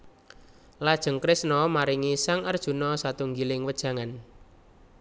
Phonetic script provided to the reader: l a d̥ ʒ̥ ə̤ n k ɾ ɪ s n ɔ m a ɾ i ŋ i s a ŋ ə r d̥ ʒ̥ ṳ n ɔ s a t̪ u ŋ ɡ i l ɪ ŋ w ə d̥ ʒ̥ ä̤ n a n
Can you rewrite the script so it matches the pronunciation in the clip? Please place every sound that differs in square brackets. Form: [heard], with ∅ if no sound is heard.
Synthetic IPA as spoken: l a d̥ ʒ̥ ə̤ [ŋ] k ɾ ɪ s n ɔ m a ɾ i ŋ i s a ŋ ə r d̥ ʒ̥ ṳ n ɔ s a t̪ u ŋ ɡ i l ɪ ŋ w ə d̥ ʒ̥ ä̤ [ŋ] a n